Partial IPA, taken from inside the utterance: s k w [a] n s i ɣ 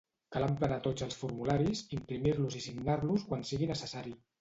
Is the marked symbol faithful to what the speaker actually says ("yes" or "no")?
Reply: yes